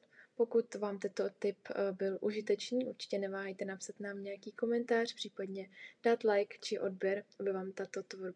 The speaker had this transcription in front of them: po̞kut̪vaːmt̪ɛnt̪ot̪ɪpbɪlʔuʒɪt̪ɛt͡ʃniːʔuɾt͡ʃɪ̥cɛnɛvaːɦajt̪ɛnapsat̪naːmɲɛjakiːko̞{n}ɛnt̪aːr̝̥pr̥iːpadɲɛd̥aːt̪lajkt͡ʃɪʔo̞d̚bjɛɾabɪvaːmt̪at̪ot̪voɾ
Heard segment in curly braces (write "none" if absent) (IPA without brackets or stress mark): m